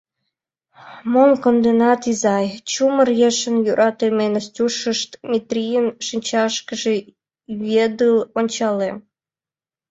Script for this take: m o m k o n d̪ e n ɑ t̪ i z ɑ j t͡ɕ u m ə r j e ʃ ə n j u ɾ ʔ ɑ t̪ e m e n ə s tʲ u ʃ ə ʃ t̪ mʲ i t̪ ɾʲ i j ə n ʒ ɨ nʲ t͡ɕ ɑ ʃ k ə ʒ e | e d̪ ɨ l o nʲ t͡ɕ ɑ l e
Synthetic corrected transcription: m o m k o n d̪ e n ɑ t̪ i z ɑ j t͡ɕ u m ə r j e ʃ ə n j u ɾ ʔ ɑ t̪ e m e n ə s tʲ u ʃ ə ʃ t̪ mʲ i t̪ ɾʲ i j ə n ʃ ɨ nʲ t͡ɕ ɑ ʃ k ə ʒ e | e d̪ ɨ l o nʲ t͡ɕ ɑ l e